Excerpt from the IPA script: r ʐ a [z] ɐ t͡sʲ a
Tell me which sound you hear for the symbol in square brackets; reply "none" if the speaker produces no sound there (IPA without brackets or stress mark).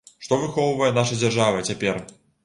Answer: v